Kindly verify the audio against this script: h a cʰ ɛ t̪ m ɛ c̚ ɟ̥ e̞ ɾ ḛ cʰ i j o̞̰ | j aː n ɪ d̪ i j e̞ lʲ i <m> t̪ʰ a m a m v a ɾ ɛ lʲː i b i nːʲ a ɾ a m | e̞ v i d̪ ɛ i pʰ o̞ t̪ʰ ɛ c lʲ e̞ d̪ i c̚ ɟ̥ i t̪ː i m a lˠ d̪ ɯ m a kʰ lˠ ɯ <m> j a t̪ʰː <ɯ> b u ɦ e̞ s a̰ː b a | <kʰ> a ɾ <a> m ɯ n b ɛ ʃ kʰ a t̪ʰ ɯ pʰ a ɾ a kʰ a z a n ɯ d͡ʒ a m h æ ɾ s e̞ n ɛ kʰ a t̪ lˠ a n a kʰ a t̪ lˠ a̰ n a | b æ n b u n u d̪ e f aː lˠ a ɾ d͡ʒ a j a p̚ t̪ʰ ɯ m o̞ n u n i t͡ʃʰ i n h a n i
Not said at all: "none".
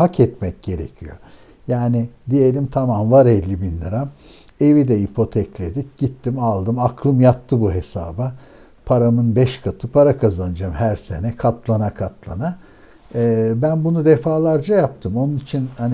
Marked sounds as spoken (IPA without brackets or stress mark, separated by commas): m, m, ɯ, pʰ, a